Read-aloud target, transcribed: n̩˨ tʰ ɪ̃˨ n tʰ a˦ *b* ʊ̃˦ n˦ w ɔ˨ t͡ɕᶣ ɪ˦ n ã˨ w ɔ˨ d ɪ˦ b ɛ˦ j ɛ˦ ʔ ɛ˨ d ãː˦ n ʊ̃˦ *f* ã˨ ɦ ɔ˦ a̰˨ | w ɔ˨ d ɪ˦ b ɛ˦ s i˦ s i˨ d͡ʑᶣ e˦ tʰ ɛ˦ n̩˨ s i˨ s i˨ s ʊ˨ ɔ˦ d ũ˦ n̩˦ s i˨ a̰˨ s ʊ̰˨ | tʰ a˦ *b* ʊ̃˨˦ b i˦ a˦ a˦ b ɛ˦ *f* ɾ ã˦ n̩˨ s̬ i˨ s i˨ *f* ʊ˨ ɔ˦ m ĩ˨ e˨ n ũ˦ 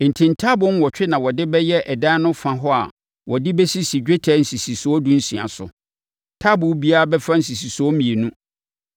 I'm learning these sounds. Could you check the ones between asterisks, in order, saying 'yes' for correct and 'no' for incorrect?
yes, yes, yes, yes, no

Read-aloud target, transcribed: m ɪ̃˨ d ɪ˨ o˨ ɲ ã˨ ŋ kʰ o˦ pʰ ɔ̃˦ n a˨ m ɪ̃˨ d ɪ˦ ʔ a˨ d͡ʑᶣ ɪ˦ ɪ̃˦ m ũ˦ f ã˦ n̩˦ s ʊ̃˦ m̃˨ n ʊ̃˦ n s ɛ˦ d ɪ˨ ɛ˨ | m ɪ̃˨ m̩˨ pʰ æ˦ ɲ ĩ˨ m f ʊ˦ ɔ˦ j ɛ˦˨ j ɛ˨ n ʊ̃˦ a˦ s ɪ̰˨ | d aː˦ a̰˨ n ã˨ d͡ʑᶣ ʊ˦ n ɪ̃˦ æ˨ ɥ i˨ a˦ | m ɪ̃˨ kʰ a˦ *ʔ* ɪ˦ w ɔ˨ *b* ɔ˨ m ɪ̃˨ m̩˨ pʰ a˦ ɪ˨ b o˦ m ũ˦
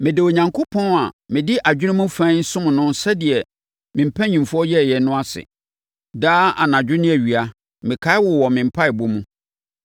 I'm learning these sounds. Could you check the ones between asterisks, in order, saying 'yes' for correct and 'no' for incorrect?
no, no

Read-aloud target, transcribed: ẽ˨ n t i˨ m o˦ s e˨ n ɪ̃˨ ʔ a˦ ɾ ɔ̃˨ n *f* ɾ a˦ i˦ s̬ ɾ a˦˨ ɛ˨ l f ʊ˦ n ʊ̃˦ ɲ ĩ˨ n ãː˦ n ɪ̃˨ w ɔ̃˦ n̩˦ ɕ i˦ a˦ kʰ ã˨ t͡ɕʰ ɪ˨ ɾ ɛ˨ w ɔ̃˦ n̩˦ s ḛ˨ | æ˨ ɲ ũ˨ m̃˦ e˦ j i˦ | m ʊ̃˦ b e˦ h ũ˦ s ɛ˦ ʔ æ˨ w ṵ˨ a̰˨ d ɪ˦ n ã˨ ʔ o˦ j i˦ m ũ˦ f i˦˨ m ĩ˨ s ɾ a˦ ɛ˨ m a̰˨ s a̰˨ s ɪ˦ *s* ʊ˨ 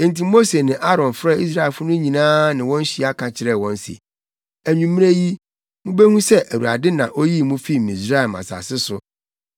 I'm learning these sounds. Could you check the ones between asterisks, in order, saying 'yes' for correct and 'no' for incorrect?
yes, yes

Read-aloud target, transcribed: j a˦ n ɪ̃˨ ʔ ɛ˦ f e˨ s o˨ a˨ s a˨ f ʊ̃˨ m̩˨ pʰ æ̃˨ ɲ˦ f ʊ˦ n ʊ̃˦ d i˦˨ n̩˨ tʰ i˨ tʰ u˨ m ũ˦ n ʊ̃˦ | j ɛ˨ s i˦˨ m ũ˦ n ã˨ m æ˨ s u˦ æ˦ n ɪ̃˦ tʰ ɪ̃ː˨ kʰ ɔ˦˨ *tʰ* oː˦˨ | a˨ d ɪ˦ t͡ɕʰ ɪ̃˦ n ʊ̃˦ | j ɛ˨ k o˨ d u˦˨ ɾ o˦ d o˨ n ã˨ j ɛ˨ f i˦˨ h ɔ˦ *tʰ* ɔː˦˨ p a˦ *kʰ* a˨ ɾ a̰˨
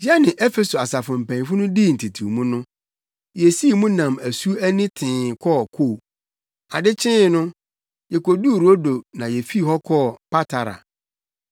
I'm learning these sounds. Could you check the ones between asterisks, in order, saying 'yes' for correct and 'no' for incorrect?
no, no, no

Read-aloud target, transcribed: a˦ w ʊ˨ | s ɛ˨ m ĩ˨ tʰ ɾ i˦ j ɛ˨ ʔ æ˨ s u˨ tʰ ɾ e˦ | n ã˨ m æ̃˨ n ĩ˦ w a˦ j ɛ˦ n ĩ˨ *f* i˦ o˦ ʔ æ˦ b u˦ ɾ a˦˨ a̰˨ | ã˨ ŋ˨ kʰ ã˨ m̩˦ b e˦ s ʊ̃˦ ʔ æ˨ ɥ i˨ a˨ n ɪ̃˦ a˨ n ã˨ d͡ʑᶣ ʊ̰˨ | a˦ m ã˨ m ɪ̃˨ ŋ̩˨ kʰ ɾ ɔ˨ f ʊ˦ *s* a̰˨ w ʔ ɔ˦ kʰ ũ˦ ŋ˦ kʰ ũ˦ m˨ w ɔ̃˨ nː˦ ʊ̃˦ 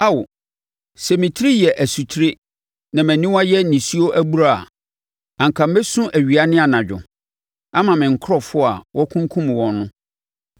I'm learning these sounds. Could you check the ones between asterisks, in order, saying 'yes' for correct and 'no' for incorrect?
no, no

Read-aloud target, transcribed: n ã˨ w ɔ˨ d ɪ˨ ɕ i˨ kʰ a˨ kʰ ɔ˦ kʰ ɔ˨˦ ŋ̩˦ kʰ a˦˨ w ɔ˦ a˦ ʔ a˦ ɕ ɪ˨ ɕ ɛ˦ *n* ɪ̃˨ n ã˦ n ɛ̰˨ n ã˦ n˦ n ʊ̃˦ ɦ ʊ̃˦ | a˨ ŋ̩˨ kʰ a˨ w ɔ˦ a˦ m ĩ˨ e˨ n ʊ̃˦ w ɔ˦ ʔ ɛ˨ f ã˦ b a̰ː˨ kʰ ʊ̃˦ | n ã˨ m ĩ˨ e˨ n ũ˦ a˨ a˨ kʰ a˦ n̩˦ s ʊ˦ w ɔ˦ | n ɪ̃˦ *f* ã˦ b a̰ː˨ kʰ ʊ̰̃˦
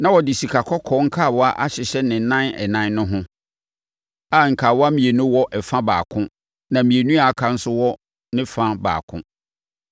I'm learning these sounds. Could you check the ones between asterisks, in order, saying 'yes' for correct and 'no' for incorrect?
yes, yes

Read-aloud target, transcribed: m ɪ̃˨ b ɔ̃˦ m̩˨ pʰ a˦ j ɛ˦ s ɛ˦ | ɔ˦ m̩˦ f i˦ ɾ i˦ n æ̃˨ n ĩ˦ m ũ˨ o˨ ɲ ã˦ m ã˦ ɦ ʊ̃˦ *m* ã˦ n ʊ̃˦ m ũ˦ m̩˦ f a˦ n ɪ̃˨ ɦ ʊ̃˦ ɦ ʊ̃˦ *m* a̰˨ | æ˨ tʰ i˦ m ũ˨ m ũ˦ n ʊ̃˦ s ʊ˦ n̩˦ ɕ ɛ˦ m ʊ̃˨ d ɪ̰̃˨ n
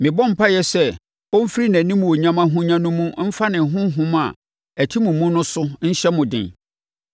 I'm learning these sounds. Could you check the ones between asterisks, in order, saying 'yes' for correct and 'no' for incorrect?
no, yes

